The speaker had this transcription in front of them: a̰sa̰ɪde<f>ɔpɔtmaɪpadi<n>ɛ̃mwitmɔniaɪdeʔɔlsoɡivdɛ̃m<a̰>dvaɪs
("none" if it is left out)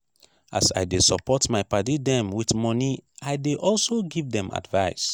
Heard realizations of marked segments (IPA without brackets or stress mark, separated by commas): s, d, a̰